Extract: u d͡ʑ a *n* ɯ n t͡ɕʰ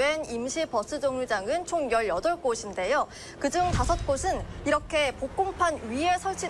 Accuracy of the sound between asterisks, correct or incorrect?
incorrect